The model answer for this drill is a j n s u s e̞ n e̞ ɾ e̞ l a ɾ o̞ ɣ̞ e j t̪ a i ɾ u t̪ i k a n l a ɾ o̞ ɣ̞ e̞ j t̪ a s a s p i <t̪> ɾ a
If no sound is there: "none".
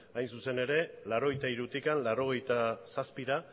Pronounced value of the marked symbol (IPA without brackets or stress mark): none